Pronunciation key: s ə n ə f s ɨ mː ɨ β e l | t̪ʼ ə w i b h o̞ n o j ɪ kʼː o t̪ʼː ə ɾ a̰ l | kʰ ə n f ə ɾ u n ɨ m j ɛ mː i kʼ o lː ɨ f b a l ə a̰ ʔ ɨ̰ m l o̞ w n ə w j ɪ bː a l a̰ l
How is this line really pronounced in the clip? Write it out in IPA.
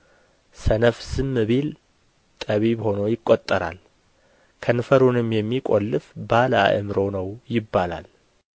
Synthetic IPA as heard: s ə n ə f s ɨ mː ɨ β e l | t̪ʼ ə β i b h o̞ n o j ɪ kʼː o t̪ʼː ə ɾ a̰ l | kʰ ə n f ə ɾ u n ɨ m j ɛ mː i kʼ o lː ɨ f b a l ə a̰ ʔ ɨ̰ m ɾ o̞ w n ə w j ɪ bː a l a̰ l